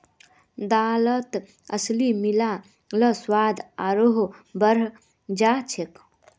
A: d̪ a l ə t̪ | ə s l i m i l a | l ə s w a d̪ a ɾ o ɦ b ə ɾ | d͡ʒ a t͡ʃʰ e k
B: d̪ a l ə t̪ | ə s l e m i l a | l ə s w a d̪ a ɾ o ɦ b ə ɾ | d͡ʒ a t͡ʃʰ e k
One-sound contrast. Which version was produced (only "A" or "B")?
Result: A